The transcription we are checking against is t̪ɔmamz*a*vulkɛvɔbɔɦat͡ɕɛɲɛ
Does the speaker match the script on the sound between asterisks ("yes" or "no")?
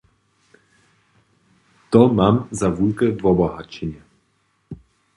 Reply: yes